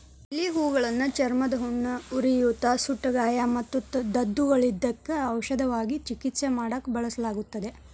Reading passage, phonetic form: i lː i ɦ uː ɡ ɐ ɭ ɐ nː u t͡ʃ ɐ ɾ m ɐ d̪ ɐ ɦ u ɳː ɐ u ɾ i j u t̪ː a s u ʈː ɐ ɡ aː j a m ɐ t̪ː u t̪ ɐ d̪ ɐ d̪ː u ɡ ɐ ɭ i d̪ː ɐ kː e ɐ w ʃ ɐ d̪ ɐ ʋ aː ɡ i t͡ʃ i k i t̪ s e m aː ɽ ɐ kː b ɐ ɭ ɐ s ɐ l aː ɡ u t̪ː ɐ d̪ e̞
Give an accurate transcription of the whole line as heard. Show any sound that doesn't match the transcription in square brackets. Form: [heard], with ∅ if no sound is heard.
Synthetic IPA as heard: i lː i ɦ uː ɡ ɐ ɭ ɐ nː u t͡ʃ ɐ ɾ m ɐ d̪ ɐ ɦ u ɳː ɐ u ɾ i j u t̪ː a s u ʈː ɐ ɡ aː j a m ɐ t̪ː u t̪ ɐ d̪ ɐ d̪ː u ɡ ɐ ɭ i d̪ː ɐ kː e ɐ w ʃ ɐ d̪ ɐ ʋ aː ɡ i t͡ʃ i k i t̪ s e m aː ɽ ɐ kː b ɐ ɭ ɐ s ɐ l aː ɡ u t̪ː ɐ d̪ e̞